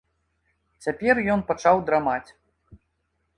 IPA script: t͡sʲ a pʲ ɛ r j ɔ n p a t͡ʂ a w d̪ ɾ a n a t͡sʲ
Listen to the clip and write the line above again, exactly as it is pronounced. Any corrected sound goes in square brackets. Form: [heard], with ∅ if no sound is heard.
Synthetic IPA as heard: t͡sʲ a pʲ ɛ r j ɔ n p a t͡ʂ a w d̪ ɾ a [m] a t͡sʲ